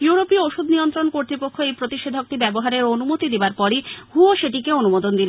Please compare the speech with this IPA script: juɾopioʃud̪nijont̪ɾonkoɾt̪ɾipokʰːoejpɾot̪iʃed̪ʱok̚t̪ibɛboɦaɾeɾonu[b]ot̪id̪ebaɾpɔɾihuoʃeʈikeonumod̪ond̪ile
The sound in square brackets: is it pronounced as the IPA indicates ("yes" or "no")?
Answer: no